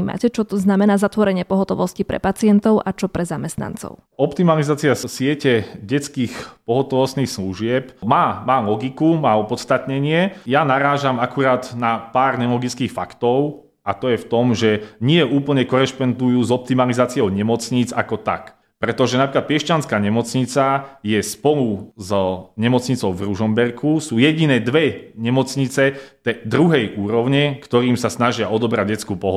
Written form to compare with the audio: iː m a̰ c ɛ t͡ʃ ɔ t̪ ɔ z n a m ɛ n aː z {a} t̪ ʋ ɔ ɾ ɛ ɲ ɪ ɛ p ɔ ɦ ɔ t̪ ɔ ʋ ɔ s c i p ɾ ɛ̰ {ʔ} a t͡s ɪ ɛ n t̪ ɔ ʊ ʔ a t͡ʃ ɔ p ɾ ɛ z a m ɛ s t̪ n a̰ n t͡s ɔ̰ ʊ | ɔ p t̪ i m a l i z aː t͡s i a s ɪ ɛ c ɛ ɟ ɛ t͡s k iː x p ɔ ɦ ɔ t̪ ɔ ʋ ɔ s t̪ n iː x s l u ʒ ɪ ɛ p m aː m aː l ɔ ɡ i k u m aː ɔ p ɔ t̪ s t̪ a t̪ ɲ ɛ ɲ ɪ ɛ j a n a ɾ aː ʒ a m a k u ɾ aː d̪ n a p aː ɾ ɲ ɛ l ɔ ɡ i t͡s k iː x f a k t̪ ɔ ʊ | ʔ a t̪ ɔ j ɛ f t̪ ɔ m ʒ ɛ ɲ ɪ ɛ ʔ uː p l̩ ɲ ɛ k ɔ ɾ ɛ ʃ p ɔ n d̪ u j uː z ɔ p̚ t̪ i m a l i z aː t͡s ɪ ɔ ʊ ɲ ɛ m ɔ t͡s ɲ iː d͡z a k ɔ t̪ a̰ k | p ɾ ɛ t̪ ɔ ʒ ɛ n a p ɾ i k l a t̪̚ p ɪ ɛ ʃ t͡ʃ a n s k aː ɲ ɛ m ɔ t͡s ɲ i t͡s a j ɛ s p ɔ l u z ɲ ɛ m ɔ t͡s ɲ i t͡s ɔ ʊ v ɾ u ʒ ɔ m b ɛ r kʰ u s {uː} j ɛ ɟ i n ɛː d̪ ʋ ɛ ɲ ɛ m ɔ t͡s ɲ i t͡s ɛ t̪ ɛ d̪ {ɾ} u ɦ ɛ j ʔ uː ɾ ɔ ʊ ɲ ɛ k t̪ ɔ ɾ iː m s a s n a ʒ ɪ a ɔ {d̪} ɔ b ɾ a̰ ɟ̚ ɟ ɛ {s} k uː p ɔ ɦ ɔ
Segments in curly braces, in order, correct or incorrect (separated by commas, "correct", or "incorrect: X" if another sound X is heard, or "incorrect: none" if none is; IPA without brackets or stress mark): correct, incorrect: p, correct, correct, correct, incorrect: t͡s